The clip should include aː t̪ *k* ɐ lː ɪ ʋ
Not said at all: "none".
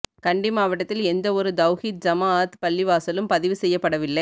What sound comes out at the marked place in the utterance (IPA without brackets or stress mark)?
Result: p